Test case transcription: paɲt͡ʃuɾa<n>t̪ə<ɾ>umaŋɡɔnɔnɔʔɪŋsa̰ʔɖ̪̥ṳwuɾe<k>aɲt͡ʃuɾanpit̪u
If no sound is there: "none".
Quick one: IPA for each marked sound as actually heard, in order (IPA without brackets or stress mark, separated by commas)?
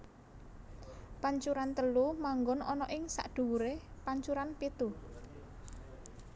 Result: n, l, p